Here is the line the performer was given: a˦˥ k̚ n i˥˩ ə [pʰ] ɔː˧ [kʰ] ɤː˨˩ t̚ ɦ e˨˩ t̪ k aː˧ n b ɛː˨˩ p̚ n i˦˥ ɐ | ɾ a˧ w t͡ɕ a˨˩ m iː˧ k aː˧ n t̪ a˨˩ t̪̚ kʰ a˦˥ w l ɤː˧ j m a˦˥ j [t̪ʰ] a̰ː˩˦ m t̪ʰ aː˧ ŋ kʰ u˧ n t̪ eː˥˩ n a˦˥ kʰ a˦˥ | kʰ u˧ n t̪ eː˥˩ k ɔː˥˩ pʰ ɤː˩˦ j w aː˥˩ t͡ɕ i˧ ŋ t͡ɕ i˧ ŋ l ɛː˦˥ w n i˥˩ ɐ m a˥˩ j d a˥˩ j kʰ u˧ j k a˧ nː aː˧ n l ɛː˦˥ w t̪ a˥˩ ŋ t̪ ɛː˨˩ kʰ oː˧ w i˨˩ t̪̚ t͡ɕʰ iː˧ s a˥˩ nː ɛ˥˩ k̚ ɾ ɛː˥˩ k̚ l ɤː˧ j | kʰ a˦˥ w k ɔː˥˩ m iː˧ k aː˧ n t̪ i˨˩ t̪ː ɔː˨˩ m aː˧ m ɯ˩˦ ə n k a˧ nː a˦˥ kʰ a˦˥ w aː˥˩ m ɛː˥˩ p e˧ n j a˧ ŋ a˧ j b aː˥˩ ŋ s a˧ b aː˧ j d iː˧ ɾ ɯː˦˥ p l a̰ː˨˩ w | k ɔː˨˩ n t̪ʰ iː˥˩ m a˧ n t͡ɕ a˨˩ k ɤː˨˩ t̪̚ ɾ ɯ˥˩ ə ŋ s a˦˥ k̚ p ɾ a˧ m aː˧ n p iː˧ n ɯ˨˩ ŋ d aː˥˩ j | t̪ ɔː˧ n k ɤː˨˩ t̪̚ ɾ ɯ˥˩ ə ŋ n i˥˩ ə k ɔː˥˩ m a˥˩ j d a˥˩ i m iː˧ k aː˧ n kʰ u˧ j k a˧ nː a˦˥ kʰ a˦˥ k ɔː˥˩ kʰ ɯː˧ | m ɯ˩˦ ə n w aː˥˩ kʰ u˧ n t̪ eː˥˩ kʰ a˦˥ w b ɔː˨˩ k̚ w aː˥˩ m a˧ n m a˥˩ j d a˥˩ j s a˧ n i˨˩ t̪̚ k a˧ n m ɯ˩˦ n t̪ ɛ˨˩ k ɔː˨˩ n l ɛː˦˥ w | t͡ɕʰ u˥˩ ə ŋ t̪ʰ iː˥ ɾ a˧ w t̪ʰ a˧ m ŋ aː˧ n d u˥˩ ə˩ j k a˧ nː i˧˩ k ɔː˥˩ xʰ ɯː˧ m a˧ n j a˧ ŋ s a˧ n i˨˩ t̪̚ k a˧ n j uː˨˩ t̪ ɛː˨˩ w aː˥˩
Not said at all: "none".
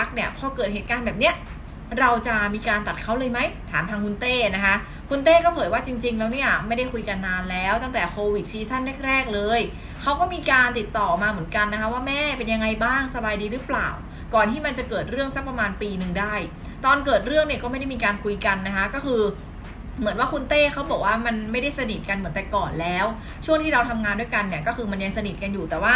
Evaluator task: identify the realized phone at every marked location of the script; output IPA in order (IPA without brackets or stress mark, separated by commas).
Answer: pʰ, k, t̪ʰ